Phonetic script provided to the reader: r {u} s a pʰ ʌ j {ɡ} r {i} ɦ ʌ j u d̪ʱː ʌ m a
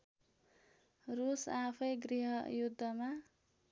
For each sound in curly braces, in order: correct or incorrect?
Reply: correct, correct, correct

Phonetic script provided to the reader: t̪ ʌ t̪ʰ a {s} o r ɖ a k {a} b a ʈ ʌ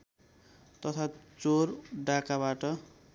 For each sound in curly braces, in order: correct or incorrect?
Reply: incorrect: t͡s, correct

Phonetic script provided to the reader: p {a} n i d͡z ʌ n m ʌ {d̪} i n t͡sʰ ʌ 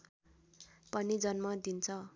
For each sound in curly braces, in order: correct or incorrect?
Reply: incorrect: ʌ, correct

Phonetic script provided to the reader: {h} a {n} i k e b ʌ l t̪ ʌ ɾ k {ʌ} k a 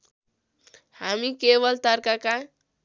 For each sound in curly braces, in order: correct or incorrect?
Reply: correct, incorrect: m, incorrect: a

